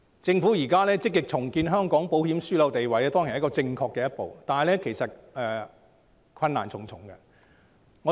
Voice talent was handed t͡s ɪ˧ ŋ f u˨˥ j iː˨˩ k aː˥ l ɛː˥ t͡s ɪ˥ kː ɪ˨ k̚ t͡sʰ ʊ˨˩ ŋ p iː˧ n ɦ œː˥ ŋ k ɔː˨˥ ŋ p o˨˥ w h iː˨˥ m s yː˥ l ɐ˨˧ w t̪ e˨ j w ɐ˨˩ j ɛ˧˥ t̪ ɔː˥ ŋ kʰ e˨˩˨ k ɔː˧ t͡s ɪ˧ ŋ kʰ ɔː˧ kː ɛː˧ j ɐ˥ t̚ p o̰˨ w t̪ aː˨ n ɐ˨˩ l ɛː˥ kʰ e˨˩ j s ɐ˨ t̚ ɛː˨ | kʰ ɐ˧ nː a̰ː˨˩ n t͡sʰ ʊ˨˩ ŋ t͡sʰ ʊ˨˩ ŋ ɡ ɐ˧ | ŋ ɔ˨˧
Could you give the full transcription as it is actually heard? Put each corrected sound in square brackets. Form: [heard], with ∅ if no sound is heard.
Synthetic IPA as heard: t͡s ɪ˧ ŋ f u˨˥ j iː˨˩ k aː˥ l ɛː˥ t͡s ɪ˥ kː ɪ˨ k̚ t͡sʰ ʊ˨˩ ŋ [k] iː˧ n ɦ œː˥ ŋ k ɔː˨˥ ŋ p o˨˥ w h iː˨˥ m s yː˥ l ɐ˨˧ w t̪ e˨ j w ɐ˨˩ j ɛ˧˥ t̪ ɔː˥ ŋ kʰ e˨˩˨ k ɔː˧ t͡s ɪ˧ ŋ kʰ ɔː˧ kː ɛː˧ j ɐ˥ t̚ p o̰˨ w t̪ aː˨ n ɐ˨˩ l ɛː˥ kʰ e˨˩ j s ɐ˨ t̚ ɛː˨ | kʰ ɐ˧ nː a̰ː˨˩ n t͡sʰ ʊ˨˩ ŋ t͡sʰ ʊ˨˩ ŋ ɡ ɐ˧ | ŋ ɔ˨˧